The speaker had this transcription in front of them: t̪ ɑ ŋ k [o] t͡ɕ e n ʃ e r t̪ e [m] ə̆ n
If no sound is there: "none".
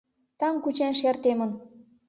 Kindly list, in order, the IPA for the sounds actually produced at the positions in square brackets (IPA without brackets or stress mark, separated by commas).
u, m